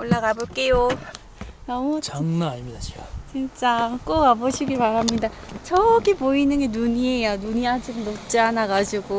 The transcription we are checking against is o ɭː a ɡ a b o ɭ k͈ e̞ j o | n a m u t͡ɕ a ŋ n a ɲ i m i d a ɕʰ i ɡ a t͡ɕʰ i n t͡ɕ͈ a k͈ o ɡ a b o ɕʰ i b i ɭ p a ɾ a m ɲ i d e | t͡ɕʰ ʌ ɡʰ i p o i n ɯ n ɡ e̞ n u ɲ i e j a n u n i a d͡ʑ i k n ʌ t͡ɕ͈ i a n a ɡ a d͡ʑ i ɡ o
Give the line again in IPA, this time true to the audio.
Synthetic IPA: o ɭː a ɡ a b o ɭ k͈ e̞ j o | n ʌ m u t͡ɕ a ŋ n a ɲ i m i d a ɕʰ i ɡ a t͡ɕ i n t͡ɕ͈ a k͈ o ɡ a b o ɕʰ i ɡ i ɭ p a ɾ a m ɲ i d a | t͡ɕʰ ʌ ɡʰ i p o i n ɯ n ɡ e̞ n u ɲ i e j a n u ɲ i a d͡ʑ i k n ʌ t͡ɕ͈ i a n a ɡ a d͡ʑ i ɡ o

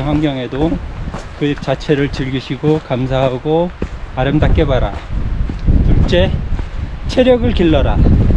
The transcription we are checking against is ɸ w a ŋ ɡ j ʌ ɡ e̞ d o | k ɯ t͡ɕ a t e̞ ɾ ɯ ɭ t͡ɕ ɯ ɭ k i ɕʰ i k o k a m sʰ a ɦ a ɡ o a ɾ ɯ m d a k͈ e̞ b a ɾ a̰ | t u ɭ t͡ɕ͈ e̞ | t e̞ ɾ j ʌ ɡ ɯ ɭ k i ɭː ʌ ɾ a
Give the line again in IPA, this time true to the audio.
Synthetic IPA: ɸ w a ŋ ɡ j ʌ ŋ e̞ d o | k ɯ t͡ɕ a t͡ɕʰ e̞ ɾ ɯ ɭ t͡ɕ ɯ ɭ ɡ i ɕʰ i ɡ o k a m sʰ a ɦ a ɡ o a ɾ ɯ m d a k͈ e̞ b a ɾ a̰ | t u ɭ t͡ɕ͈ e̞ | t͡ɕʰ e̞ ɾ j ʌ ɡ ɯ ɭ k i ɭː ʌ ɾ a

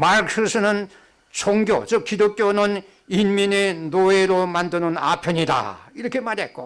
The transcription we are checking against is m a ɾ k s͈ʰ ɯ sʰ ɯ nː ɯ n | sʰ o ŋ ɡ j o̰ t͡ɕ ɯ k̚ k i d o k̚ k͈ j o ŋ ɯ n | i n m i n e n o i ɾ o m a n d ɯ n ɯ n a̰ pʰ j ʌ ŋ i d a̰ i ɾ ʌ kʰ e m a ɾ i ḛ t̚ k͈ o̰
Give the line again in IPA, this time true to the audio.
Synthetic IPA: m a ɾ k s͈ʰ ɯ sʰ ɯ n ɯ n | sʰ o ŋ ɡ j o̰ t͡ɕ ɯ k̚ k i d o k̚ k͈ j o n ɯ n | i n m i n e n o e ɾ o m a n d ɯ n ɯ n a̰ pʰ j ʌ ɲ i d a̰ i ɾ ʌ kʰ e m a ɾ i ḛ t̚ k͈ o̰

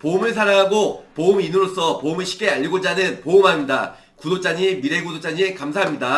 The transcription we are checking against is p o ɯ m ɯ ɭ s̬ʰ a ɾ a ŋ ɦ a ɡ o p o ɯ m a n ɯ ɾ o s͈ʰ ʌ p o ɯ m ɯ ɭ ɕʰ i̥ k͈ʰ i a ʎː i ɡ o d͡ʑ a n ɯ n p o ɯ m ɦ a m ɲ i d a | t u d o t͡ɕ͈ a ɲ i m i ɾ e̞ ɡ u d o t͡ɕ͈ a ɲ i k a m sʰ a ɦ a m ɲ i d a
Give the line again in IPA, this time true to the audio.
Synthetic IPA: p o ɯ m ɯ ɭ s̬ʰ a ɾ a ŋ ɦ a ɡ o p o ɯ m i n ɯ ɾ o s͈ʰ ʌ p o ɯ m ɯ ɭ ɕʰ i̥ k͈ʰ e a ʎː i ɡ o d͡ʑ a n ɯ n p o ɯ m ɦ a m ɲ i d a | k u d o t͡ɕ͈ a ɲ i m i ɾ e̞ ɡ u d o t͡ɕ͈ a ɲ i k a m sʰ a ɦ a m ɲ i d a

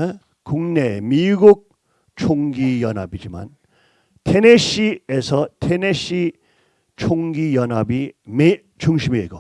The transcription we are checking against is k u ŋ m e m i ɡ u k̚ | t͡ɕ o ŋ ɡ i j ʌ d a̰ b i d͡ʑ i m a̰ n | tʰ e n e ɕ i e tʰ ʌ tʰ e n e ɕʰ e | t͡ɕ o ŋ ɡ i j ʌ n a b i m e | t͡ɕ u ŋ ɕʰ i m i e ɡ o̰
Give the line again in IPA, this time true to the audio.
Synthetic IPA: k u ŋ n e m i ɡ u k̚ | t͡ɕʰ o ŋ ɡ i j ʌ n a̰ b i d͡ʑ i m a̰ n | tʰ e n e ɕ i e sʰ ʌ tʰ e n e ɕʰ i | t͡ɕʰ o ŋ ɡ i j ʌ n a b i m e | t͡ɕ u ŋ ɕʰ i m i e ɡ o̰

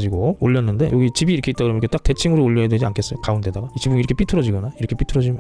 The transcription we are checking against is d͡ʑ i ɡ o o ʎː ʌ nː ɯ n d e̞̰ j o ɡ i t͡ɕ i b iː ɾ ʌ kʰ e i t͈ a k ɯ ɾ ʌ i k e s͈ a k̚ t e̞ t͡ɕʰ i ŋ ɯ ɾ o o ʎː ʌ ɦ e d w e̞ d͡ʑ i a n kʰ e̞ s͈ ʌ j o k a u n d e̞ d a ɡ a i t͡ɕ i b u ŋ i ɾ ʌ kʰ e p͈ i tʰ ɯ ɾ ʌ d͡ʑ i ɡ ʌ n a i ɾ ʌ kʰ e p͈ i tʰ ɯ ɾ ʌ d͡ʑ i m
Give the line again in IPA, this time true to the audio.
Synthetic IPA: d͡ʑ i ɡ o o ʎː ʌ nː ɯ n d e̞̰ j o ɡ i t͡ɕ i b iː ɾ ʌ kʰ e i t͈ a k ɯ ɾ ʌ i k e t͈ a k̚ t e̞ t͡ɕʰ i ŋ ɯ ɾ o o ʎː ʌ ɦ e d w e̞ d͡ʑ i a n kʰ e̞ s͈ ʌ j o k a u n d e̞ d a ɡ a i t͡ɕ i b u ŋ i ɾ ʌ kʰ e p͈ i tʰ ɯ ɾ ʌ d͡ʑ i ɡ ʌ n a i ɾ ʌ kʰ e p͈ i tʰ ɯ ɾ ʌ d͡ʑ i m

